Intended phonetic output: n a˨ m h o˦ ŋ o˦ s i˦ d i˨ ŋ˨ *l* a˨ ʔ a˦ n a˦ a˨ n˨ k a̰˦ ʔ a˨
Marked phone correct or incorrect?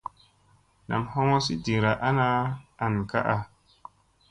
incorrect